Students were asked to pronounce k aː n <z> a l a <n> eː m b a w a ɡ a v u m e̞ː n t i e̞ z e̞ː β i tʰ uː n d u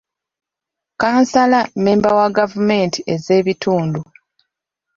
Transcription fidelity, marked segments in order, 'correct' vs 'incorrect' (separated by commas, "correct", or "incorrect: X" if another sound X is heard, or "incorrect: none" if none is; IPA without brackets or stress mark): incorrect: s, incorrect: m